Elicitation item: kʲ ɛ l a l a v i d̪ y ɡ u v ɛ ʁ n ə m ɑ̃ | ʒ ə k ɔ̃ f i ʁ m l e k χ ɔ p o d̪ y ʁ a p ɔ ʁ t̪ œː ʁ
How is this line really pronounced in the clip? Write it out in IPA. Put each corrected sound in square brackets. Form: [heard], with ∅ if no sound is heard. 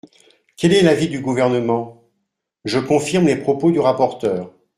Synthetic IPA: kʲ ɛ l [ɛ] l a v i d̪ y ɡ u v ɛ ʁ n ə m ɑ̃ | ʒ ə k ɔ̃ f i ʁ m l e [p] χ ɔ p o d̪ y ʁ a p ɔ ʁ t̪ œː ʁ